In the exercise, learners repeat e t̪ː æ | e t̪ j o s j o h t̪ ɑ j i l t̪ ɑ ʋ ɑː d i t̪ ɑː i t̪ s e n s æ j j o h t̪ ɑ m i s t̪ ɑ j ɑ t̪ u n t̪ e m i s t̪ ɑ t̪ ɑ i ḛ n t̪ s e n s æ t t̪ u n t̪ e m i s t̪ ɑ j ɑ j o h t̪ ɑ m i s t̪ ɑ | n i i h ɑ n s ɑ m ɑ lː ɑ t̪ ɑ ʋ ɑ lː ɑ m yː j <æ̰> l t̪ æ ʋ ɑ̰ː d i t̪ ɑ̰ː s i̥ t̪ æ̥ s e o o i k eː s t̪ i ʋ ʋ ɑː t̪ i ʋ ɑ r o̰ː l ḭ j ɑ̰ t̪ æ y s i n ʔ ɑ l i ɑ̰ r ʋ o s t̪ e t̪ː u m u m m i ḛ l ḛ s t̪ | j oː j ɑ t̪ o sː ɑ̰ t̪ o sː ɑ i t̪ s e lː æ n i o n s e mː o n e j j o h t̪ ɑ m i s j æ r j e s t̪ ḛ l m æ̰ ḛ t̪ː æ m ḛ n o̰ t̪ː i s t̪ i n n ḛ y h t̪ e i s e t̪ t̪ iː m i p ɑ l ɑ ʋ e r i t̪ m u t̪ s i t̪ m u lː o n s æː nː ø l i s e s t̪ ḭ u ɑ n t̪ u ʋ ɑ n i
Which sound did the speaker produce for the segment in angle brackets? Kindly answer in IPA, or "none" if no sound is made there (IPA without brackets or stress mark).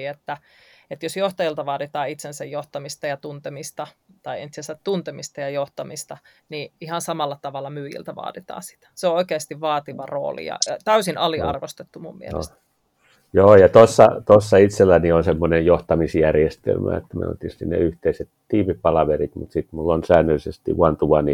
ḭ